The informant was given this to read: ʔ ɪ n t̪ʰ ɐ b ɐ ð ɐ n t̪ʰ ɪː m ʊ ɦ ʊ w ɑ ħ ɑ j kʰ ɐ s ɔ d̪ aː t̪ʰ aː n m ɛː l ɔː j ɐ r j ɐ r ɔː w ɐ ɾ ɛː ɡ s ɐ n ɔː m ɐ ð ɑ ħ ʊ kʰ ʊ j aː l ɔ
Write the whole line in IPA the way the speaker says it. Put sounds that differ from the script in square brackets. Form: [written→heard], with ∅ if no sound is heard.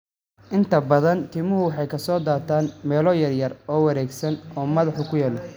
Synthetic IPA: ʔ ɪ n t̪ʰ ɐ b ɐ ð ɐ n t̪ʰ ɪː m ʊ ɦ ʊ w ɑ ħ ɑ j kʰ ɐ s [ɔ→ɔː] d̪ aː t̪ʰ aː n m ɛː l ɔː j ɐ r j ɐ r ɔː w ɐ ɾ ɛː ɡ s ɐ n ɔː m ɐ ð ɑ ħ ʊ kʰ ʊ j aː l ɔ